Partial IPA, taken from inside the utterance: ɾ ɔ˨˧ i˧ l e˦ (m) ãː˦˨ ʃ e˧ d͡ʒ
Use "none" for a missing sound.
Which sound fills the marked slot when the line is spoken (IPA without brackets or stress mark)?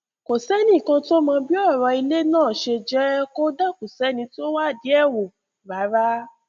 n